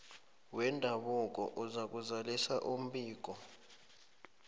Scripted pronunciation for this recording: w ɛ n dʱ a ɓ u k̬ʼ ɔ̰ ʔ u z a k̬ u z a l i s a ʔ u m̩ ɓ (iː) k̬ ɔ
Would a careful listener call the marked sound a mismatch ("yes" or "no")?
no